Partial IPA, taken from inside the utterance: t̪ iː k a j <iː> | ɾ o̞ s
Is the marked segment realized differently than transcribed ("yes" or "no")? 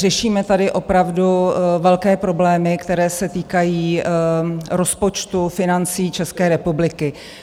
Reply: no